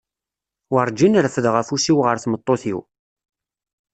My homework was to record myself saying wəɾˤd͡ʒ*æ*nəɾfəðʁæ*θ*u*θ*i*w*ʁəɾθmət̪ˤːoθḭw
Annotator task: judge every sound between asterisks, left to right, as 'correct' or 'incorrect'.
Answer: incorrect, incorrect, incorrect, correct

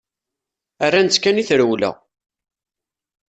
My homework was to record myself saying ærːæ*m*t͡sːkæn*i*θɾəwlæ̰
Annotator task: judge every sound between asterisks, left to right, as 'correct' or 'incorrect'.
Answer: incorrect, correct

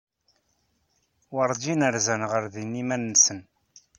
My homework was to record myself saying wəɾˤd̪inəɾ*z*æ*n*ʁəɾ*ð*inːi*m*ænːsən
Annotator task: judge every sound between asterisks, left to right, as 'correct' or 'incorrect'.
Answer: correct, correct, correct, correct

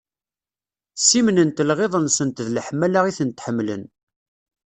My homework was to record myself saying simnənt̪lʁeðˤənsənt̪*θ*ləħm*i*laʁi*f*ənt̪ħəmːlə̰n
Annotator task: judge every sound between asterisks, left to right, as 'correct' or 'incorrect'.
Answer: incorrect, incorrect, incorrect

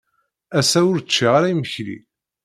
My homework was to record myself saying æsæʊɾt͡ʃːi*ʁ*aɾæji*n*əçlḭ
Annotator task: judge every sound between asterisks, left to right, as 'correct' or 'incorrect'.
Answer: correct, incorrect

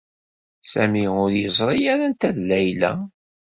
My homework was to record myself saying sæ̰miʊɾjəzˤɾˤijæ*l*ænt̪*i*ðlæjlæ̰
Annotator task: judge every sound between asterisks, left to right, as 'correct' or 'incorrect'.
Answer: incorrect, incorrect

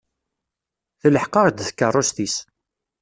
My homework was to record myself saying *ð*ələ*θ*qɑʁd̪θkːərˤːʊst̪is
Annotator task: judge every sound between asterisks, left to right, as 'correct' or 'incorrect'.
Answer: incorrect, incorrect

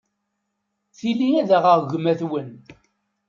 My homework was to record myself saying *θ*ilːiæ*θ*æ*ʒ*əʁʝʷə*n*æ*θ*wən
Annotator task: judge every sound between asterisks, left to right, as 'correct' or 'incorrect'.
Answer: correct, incorrect, incorrect, incorrect, correct

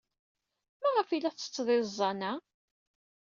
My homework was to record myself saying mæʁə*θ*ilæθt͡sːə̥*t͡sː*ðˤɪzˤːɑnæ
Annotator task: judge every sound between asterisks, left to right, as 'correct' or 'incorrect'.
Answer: incorrect, correct

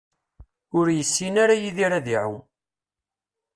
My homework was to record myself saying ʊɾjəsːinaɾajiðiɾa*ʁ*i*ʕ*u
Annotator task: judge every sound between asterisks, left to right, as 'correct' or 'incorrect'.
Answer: incorrect, correct

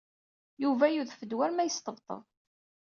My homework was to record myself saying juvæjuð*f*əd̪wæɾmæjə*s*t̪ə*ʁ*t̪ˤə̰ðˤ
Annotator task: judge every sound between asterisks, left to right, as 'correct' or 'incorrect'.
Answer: correct, correct, incorrect

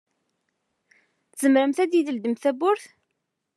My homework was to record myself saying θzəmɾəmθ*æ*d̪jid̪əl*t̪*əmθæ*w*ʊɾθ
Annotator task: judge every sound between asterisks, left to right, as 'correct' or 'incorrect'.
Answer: correct, incorrect, incorrect

